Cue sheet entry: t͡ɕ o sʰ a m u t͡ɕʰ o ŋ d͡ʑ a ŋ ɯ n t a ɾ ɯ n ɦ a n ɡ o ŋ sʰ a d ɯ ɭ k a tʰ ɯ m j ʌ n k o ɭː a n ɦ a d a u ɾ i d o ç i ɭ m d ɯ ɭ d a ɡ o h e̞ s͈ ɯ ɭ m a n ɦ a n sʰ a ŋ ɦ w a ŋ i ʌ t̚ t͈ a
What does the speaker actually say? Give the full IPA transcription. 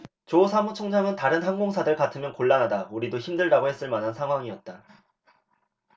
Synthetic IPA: t͡ɕ o sʰ a m u t͡ɕʰ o ŋ d͡ʑ a ŋ ɯ n t a ɾ ɯ n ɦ a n ɡ o ŋ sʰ a d ɯ ɭ k a tʰ ɯ m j ʌ n k o ɭː a n ɦ a d a u ɾ i d o ç i m d ɯ ɭ d a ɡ o h e̞ s͈ ɯ ɭ m a n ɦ a n sʰ a ŋ ɦ w a ŋ i ʌ t̚ t͈ a